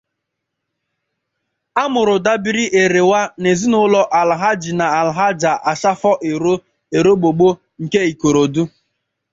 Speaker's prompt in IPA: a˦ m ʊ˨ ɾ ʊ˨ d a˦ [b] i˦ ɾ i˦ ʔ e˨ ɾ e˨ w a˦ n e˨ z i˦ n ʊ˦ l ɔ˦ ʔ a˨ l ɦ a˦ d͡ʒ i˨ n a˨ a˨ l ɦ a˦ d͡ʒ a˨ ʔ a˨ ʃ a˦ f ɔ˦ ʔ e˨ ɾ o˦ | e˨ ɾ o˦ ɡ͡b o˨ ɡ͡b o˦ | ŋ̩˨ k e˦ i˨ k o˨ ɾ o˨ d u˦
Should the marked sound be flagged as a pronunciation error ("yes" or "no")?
no